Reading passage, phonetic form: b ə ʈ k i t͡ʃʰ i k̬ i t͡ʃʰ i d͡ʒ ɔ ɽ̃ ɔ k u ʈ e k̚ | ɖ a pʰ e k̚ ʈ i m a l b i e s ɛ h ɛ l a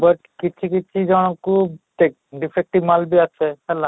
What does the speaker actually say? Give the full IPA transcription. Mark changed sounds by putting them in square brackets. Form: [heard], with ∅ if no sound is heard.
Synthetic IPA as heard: b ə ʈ k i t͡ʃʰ i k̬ i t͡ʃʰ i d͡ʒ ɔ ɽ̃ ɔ k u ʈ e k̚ | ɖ [i] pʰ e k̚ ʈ i m a l b i [a] s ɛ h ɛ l a